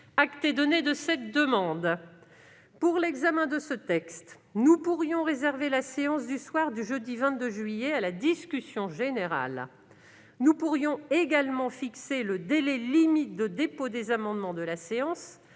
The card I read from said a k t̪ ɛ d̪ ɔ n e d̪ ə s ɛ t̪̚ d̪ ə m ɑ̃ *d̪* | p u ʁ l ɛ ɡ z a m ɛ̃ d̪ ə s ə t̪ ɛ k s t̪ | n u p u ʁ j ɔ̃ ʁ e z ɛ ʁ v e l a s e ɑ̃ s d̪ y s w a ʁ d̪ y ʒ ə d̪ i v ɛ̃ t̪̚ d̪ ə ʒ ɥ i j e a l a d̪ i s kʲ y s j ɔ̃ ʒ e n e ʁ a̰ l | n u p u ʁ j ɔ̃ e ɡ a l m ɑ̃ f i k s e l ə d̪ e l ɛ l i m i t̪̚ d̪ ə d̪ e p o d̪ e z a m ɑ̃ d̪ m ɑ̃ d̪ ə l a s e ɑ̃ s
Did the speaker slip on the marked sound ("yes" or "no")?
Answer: no